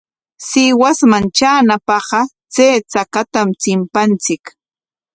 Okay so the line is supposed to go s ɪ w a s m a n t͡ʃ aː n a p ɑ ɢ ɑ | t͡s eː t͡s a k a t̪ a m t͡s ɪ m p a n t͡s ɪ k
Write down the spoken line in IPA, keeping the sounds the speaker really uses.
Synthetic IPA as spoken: s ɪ w a s m a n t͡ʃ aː n a p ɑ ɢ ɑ | t͡s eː t͡s a k a t̪ a m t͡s ɪ m p a n t͡s ɪ k